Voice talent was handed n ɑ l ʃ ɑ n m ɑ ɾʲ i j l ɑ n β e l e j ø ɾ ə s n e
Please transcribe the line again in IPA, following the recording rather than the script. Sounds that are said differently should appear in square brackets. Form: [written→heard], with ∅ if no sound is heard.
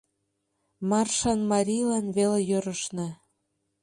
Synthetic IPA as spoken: [n→m] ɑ [l→r] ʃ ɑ n m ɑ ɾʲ i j l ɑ n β e l e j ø ɾ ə [s→ʃ] n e